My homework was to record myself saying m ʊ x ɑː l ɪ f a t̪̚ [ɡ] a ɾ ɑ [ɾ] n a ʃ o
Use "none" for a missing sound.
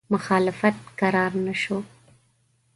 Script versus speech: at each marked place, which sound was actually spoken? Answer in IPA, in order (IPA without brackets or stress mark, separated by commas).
k, ɾ